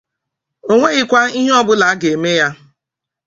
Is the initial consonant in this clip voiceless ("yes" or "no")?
no